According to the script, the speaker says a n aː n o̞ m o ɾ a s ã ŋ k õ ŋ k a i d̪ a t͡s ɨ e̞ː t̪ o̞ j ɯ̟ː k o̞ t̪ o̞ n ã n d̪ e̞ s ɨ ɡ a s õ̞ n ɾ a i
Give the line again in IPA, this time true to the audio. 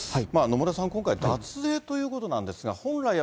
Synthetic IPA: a m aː n o̞ m o ɾ a s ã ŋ k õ ŋ k a i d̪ a t͡s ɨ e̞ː t̪ o̞ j ɯ̟ː k o̞ t̪ o̞ n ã n d̪ e̞ s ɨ ɡ a h õ̞ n ɾ a i